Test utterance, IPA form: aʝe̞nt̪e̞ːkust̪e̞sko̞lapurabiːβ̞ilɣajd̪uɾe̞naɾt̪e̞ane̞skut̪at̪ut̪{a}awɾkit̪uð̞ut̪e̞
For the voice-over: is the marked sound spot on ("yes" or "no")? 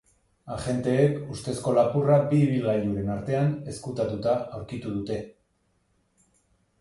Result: yes